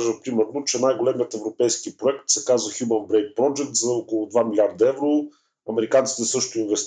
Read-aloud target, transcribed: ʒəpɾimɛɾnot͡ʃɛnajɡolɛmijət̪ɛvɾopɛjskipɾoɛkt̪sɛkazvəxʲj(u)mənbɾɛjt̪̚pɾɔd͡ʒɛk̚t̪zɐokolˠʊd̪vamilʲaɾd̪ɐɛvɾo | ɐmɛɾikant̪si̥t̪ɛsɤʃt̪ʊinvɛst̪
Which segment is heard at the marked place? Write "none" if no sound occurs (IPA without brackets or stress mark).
u